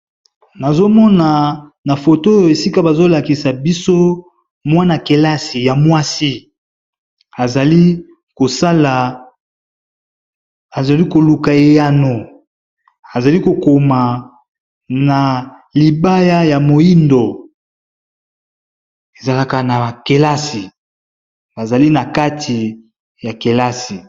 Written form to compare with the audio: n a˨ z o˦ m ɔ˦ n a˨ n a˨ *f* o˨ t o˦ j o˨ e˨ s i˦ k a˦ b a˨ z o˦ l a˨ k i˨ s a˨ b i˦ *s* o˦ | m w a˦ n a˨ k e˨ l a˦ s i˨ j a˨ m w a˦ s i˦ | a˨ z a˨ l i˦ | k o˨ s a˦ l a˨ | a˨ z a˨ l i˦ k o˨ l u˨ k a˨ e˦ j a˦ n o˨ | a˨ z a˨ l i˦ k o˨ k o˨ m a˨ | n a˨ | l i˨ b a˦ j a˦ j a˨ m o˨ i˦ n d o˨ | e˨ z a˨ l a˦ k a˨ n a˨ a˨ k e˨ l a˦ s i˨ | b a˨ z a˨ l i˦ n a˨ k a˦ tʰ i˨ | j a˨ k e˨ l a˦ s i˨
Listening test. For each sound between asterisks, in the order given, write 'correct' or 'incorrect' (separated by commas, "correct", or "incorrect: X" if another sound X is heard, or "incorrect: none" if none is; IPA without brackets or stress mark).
correct, correct